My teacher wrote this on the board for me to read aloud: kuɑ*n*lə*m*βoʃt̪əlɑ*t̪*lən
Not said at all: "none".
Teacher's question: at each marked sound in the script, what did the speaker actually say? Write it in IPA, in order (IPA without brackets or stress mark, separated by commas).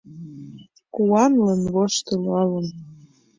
n, n, none